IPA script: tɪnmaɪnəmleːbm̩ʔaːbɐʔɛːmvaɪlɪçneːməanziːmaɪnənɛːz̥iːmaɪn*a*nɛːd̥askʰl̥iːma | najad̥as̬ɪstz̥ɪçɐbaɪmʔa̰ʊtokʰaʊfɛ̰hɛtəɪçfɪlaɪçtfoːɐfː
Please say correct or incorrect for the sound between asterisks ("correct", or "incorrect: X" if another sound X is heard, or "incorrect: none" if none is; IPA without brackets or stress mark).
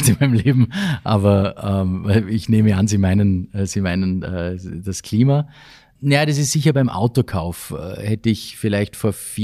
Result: incorrect: ə